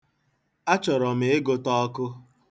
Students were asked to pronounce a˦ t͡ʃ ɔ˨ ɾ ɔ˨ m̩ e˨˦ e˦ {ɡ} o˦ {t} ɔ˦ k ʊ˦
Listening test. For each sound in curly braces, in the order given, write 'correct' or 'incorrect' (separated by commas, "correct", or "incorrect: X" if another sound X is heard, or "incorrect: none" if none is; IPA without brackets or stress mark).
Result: correct, correct